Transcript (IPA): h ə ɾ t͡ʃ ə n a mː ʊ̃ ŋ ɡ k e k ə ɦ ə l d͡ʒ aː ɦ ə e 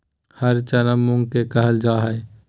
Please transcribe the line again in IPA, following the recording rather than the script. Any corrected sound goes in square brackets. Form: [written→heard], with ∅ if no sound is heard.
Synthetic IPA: h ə ɾ t͡ʃ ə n [a→ə] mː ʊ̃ ŋ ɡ k e k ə ɦ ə l d͡ʒ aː ɦ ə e